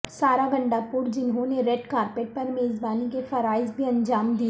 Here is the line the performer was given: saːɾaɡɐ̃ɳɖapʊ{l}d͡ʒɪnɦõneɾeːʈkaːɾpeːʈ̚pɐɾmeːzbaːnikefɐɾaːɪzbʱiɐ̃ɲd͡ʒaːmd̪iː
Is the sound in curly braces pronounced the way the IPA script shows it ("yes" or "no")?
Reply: no